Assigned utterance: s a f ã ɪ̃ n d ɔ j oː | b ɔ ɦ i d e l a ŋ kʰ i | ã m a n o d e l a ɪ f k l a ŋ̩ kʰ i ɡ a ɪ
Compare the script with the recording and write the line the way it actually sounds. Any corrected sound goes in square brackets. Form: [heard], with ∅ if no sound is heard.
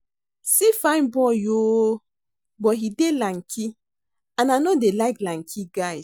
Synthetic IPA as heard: s [i] f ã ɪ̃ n [b] ɔ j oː | b ɔ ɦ i d e l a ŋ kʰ i | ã [n] a n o d e l a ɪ [∅] k l a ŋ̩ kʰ i ɡ a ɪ